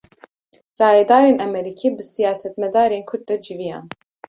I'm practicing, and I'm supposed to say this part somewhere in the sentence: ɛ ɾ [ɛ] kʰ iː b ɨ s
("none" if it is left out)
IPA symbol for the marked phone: i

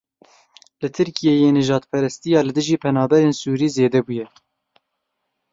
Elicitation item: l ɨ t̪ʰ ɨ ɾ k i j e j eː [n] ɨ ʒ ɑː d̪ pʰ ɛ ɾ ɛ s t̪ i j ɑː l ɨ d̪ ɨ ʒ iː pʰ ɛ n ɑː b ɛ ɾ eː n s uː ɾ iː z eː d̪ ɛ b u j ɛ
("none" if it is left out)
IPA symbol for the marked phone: n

